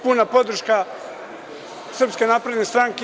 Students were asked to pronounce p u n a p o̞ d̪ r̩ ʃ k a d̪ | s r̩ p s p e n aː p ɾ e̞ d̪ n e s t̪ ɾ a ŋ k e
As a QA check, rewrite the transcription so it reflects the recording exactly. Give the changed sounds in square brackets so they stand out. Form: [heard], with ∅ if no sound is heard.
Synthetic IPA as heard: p u n a p o̞ d̪ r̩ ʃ k a [∅] | s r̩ p s [k] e n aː p ɾ e̞ d̪ n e s t̪ ɾ a ŋ k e